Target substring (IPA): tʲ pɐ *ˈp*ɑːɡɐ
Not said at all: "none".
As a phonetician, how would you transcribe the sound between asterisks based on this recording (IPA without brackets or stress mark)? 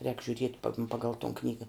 p